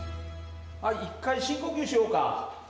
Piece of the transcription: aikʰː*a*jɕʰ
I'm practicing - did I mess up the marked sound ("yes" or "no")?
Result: no